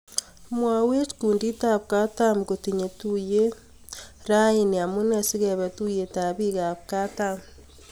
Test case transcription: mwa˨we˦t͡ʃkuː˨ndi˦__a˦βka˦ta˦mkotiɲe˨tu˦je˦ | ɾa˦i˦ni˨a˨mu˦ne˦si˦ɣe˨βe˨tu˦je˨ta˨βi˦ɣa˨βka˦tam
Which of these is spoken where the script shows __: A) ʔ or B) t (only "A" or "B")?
B